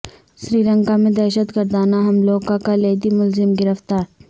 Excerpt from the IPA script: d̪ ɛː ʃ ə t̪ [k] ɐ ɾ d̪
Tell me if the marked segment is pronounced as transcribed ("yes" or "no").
no